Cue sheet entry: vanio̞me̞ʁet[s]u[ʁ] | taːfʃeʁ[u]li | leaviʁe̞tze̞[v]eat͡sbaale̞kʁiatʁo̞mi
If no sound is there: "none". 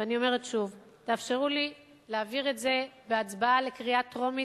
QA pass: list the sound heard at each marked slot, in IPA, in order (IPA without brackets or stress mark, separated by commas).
ʃ, v, u, b